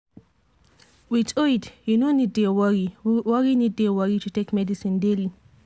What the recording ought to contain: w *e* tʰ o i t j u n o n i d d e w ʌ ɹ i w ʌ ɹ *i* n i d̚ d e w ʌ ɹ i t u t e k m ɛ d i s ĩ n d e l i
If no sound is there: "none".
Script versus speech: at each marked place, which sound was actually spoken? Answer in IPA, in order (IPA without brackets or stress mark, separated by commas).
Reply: i, i